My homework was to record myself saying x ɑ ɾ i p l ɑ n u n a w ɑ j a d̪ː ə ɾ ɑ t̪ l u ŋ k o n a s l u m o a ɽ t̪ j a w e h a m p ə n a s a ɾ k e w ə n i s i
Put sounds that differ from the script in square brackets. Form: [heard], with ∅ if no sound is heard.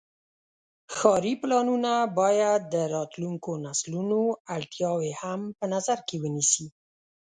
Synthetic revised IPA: x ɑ ɾ i p l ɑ n u n a [b] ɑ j a d̪ː ə ɾ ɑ t̪ l u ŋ k o n a s l u [n] o a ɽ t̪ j [ɑ] w e h a m p ə n a [z] a ɾ k e w ə n i s i